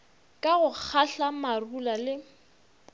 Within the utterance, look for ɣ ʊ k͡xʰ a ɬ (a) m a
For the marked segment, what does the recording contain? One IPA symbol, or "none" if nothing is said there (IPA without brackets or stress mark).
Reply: a